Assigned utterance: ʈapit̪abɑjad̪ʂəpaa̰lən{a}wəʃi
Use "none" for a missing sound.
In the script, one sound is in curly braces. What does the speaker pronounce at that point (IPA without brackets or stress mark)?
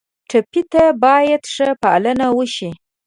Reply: a